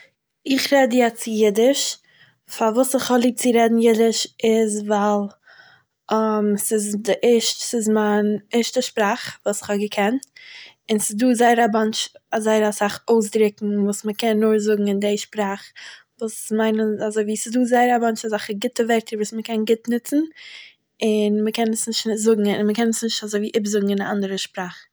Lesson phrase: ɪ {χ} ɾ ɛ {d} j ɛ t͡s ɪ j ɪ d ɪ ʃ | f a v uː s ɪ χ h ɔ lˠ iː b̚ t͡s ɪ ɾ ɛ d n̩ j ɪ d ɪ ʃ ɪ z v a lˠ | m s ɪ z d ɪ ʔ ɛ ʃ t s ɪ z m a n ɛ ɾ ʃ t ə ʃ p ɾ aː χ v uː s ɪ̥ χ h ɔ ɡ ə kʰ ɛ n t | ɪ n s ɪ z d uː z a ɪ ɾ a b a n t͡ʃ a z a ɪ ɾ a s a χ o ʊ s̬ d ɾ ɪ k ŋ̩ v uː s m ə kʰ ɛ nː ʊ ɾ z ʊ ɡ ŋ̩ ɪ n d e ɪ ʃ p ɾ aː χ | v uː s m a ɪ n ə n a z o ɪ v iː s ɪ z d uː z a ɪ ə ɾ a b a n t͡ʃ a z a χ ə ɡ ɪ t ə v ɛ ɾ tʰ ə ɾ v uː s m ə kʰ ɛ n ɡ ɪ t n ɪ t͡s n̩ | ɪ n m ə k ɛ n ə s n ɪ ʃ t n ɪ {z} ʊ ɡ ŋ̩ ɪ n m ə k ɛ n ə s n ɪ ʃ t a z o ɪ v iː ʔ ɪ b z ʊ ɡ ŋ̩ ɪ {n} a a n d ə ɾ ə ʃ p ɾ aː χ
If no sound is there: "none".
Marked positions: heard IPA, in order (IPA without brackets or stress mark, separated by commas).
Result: χ, d, z, n